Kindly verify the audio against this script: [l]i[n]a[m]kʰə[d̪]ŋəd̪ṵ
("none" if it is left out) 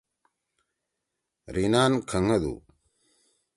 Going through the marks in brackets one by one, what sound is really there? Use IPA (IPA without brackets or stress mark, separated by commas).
ɾ, n, n, none